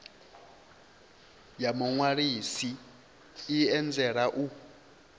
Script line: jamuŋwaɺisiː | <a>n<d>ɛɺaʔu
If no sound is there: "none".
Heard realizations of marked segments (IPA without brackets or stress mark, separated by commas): ɛ, d͡z